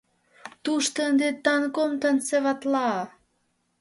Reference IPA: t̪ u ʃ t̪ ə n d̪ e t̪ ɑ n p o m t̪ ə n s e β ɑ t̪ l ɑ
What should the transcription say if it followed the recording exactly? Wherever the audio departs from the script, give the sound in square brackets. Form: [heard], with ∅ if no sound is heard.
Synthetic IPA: t̪ u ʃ t̪ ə n d̪ e t̪ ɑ n [k] o m t̪ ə n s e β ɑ t̪ l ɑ